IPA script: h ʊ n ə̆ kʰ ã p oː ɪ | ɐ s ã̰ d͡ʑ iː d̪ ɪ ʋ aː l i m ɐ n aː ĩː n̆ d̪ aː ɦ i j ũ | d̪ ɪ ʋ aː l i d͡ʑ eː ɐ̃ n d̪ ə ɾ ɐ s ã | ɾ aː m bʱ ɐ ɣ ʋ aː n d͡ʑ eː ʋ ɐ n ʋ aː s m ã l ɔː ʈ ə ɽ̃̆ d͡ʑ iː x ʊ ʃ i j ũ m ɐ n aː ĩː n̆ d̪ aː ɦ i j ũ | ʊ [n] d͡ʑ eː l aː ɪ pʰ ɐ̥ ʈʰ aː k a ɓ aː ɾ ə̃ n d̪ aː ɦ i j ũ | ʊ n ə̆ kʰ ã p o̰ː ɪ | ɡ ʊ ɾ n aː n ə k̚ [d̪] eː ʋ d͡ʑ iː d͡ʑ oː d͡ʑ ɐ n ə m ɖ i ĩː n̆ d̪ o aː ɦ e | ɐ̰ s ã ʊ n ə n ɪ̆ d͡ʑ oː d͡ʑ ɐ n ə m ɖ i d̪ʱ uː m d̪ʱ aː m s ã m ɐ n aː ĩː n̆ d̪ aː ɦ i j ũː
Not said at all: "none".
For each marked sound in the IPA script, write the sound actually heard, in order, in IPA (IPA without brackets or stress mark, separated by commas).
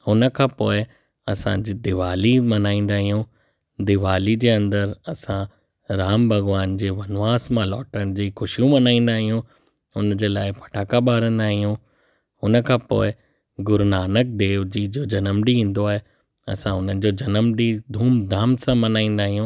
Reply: n, d̪